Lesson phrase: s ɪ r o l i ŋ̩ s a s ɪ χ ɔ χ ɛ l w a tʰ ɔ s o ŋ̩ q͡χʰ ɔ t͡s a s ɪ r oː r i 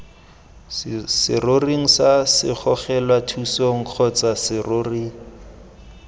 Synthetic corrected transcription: s ɪ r o r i ŋ̩ s a s ɪ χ ɔ χ ɛ l w a tʰ u s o ŋ̩ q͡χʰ ɔ t͡s a s ɪ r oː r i